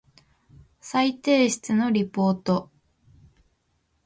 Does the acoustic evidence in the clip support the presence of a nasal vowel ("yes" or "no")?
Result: no